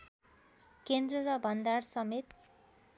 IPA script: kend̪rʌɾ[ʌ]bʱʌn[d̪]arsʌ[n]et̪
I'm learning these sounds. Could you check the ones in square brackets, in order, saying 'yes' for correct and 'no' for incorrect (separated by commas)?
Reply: yes, yes, no